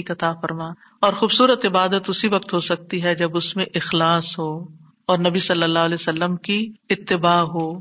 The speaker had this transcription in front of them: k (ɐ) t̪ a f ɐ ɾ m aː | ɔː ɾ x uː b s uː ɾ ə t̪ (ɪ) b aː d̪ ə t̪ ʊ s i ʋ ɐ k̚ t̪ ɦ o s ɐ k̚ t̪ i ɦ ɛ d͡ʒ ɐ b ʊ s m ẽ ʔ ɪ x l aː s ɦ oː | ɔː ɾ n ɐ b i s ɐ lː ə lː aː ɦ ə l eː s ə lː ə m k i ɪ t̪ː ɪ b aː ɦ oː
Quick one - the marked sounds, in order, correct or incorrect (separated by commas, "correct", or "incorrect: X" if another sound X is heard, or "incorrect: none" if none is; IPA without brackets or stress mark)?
correct, correct